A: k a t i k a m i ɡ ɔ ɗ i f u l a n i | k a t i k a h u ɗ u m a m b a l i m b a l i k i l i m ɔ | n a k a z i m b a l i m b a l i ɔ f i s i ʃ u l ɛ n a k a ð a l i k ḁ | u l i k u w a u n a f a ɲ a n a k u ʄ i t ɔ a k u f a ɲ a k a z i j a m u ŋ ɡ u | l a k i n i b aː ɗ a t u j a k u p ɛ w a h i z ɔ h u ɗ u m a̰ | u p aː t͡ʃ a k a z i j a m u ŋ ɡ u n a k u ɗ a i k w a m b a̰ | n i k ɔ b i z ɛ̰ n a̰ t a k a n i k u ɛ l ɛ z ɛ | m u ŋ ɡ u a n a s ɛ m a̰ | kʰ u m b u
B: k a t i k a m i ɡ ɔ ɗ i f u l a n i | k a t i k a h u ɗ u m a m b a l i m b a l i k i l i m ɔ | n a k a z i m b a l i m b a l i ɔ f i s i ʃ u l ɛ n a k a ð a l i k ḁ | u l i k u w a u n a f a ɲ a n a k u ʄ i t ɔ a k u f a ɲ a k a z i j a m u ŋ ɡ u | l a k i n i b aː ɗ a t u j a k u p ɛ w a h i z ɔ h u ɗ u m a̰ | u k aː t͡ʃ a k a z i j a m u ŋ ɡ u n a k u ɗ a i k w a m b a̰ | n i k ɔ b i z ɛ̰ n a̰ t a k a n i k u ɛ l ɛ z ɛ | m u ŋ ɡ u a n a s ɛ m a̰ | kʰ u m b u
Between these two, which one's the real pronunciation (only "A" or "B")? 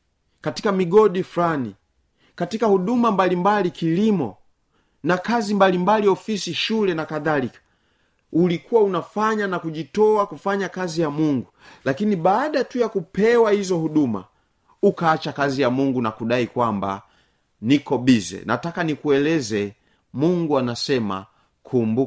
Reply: B